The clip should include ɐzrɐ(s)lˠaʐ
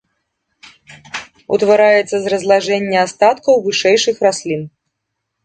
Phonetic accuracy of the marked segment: incorrect: z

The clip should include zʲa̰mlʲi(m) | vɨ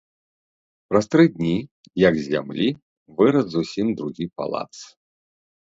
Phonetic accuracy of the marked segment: incorrect: none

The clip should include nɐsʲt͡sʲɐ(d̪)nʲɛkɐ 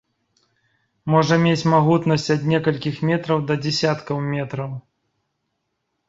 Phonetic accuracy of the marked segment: correct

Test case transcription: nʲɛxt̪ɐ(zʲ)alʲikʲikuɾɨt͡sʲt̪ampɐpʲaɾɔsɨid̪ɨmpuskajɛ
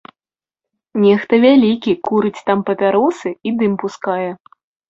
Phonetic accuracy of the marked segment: incorrect: vʲ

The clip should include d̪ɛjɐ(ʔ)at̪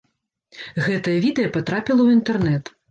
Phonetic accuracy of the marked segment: incorrect: p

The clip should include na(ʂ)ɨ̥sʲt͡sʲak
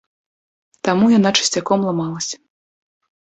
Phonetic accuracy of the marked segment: incorrect: t͡ʂ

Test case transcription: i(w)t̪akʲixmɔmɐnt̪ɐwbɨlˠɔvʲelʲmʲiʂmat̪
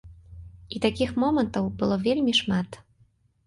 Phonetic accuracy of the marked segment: incorrect: none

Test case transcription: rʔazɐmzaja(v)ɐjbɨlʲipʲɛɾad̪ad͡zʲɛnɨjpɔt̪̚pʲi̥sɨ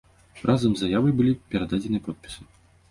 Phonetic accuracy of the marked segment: correct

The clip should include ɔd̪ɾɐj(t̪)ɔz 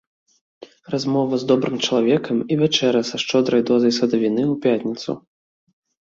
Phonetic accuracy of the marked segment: incorrect: d̪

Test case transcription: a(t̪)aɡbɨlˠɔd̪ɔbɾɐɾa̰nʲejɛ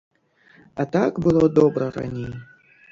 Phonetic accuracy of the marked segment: correct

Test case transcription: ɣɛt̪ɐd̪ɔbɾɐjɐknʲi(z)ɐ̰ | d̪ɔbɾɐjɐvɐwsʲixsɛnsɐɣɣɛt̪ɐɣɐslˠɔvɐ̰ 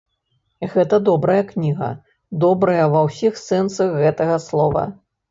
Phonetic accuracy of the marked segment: incorrect: ɣ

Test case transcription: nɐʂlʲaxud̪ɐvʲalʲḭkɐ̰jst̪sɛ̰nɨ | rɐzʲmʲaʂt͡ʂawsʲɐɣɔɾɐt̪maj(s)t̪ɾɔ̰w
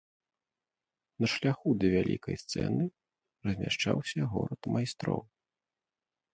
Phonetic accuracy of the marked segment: correct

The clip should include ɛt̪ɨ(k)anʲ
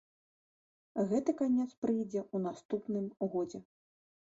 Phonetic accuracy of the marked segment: correct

